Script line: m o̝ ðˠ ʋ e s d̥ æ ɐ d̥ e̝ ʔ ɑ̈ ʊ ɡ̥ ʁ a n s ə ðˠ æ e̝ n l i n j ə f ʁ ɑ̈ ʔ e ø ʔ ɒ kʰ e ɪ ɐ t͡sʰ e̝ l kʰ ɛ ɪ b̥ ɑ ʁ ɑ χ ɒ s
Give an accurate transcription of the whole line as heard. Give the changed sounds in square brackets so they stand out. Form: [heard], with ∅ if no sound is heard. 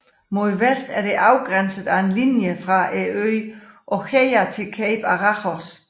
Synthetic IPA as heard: m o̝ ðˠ ʋ e s d̥ æ ɐ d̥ e̝ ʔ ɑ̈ ʊ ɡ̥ ʁ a n s ə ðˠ æ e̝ n l i n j ə f ʁ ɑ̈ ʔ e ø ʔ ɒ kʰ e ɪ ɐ t͡sʰ e̝ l kʰ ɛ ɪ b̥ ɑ ʁ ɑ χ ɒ s